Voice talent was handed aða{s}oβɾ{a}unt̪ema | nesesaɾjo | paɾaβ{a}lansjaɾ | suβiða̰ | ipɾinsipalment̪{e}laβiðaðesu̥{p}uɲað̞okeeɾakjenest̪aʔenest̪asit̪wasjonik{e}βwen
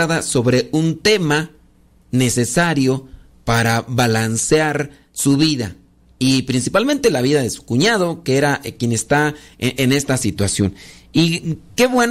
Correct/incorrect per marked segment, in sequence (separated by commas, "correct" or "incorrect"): correct, incorrect, correct, correct, incorrect, correct